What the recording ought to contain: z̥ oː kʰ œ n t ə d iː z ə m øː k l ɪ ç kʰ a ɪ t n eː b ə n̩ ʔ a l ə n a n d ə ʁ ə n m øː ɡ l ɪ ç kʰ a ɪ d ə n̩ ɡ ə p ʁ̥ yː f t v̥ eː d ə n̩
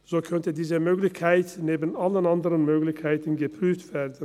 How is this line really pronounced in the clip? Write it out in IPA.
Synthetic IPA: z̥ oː kʰ œ n t ə d iː z ə m øː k l ɪ ç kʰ a ɪ t n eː b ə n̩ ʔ a l ə n a n d ə ʁ ə n m øː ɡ l ɪ ç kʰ a ɪ t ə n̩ ɡ ə p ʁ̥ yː f t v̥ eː d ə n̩